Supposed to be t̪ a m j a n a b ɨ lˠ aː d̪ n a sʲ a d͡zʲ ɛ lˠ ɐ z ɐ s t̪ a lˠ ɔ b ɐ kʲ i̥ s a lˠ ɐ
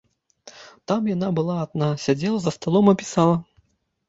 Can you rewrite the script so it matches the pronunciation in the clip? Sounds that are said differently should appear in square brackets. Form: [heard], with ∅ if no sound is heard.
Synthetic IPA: t̪ a m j a n a b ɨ lˠ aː d̪ n a sʲ a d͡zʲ ɛ lˠ ɐ z ɐ s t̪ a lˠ ɔ [m] ɐ [pʲ] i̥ s a lˠ ɐ